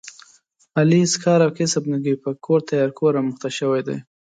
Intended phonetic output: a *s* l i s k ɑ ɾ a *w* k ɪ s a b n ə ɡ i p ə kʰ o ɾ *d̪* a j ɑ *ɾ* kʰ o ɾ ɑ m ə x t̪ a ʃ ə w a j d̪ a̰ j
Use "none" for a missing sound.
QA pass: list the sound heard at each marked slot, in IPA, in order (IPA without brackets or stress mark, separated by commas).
none, w, t̪, ɾ